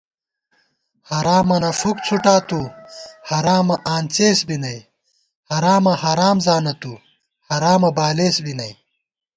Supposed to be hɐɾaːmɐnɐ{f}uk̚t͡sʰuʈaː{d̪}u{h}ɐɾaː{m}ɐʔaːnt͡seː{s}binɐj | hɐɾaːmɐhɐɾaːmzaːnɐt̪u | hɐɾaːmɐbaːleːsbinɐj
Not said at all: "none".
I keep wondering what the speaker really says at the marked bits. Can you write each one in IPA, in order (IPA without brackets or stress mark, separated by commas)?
f, t̪, h, m, s